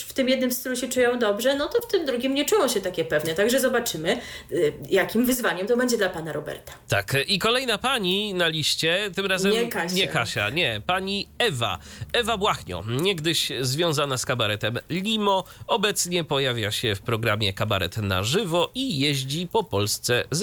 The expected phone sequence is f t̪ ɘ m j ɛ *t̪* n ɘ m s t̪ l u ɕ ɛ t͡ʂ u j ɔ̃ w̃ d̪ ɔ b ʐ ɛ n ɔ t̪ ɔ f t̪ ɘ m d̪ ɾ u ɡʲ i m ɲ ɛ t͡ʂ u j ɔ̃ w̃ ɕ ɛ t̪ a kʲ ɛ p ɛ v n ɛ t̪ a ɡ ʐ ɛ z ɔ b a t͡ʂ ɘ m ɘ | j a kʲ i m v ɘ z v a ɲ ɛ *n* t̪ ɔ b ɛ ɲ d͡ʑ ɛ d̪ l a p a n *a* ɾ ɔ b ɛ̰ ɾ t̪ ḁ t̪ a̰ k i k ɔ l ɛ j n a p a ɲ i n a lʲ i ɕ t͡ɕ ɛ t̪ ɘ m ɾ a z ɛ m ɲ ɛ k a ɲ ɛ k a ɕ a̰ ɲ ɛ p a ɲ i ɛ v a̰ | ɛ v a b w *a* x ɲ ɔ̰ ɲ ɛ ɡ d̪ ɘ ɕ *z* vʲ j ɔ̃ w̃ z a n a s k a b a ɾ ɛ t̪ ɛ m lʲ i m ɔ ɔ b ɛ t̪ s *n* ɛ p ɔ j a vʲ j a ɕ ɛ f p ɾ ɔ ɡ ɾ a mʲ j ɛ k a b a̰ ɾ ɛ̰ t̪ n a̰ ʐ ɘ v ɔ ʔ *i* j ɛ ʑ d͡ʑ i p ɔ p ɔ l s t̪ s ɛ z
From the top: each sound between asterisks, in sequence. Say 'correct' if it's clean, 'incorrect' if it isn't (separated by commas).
incorrect, incorrect, correct, correct, correct, incorrect, correct